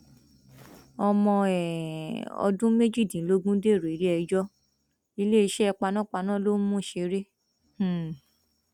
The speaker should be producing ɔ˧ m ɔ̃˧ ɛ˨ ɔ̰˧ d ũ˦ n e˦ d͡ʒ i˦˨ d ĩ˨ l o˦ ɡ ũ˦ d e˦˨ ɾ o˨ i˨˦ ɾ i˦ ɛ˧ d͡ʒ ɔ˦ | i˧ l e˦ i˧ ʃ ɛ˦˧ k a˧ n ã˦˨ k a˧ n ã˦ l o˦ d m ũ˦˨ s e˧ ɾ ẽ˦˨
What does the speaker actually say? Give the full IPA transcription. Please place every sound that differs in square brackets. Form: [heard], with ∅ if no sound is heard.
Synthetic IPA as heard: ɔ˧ m ɔ̃˧ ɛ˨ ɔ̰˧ d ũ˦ [m] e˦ d͡ʒ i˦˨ d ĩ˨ l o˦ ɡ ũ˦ d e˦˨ ɾ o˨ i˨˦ ɾ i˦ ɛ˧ d͡ʒ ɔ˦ | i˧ l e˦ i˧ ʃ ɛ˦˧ [k͡p] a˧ n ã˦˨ [k͡p] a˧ n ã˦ l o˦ [∅] m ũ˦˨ [ʃ] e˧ ɾ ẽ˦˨